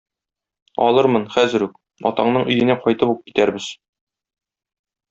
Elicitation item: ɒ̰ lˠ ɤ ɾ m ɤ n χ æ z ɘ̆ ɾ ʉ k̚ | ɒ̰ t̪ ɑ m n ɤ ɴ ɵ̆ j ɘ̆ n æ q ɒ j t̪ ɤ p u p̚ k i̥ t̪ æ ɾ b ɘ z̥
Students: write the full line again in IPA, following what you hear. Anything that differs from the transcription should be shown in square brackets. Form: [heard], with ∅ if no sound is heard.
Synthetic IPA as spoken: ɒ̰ lˠ ɤ ɾ m ɤ n χ æ z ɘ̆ ɾ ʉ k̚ | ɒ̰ t̪ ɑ [ɴ] n ɤ ɴ ɵ̆ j ɘ̆ n æ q ɒ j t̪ ɤ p u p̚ k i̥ t̪ æ ɾ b ɘ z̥